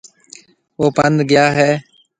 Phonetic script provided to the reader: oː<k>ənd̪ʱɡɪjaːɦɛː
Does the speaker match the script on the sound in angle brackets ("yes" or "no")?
no